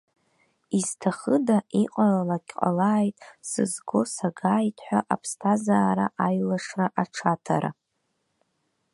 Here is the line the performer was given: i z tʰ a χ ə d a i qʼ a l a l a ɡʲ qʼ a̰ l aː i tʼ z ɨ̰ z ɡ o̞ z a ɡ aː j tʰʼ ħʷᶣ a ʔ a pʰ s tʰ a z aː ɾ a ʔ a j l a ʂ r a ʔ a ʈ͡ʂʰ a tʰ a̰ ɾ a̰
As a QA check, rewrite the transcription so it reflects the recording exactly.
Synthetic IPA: i z tʰ a χ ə d a i qʼ a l a l a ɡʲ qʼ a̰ l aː j tʼ s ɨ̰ z ɡ o̞ s a ɡ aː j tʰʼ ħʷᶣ a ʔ a pʰ s tʰ a z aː ɾ a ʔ a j l a ʂ r a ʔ a ʈ͡ʂʰ a tʰ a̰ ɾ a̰